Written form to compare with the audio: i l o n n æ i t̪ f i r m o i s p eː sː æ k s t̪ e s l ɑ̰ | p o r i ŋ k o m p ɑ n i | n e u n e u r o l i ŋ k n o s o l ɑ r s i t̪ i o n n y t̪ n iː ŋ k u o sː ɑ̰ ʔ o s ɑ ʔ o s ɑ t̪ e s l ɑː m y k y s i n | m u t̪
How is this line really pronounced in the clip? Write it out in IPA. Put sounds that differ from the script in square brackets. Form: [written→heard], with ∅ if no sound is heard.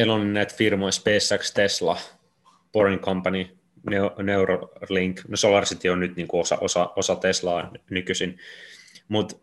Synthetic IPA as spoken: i l o n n æ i t̪ f i r m o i s p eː sː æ k s t̪ e s l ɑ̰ | p o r i ŋ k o m p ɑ n i | n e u n e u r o l i ŋ k n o s o l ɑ r s i t̪ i o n n y t̪ n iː ŋ k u o [sː→s] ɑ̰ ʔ o s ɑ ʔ o s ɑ t̪ e s l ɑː [m→n] y k y s i n | m u t̪